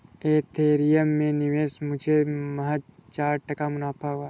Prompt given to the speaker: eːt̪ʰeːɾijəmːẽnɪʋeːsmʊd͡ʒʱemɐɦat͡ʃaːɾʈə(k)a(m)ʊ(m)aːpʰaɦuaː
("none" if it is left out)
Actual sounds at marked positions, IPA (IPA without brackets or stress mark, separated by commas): k, m, n